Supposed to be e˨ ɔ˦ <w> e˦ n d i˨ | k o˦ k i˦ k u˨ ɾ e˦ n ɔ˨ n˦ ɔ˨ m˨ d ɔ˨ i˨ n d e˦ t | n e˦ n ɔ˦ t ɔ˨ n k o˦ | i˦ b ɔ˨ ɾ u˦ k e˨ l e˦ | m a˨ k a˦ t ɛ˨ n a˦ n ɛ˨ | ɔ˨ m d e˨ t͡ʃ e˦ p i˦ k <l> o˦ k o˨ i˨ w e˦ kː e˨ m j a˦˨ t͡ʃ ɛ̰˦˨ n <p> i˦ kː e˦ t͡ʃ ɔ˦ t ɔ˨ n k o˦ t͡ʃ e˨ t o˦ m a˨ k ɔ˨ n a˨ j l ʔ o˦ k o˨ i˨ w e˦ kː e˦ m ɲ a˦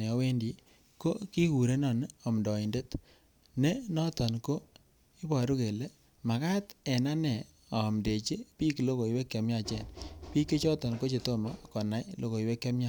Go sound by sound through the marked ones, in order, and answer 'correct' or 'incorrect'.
correct, correct, correct

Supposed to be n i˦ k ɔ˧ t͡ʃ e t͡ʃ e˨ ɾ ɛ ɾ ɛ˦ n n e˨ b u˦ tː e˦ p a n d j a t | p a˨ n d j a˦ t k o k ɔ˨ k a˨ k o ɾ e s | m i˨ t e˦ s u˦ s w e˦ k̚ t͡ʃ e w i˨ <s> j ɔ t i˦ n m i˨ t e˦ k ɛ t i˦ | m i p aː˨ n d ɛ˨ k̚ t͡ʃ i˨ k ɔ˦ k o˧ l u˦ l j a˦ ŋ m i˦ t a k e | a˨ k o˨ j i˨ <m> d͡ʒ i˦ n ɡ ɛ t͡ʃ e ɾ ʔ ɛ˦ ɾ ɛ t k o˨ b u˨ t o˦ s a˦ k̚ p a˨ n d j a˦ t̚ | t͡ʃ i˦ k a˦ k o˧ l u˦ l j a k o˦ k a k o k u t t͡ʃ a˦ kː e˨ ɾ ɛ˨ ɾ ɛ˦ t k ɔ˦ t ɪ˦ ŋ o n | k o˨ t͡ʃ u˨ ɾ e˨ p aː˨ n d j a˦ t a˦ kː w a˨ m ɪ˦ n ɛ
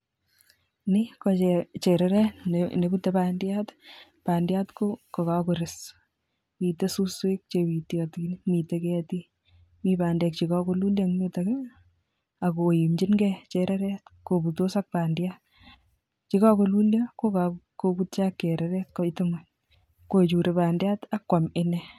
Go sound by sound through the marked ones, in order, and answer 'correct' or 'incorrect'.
incorrect: t, correct

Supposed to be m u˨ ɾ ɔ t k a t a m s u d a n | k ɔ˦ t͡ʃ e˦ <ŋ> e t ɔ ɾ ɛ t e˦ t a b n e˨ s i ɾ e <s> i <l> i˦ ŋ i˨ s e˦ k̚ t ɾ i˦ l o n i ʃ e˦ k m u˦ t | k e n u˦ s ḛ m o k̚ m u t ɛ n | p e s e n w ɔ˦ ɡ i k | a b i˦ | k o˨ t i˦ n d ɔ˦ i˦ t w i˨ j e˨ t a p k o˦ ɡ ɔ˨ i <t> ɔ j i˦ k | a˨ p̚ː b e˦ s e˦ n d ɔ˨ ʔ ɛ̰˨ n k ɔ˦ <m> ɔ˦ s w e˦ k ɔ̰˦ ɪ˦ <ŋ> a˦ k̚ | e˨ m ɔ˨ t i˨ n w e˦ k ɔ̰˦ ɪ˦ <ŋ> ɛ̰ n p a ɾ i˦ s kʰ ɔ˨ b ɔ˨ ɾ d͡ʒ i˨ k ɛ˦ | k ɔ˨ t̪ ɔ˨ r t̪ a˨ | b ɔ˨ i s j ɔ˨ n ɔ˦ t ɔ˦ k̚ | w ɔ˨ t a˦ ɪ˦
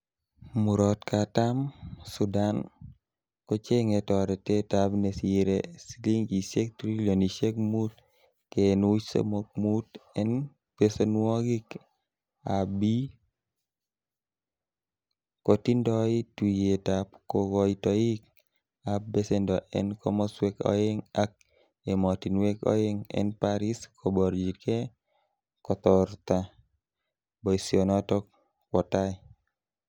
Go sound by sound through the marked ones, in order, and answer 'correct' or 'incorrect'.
correct, correct, correct, correct, correct, correct, correct

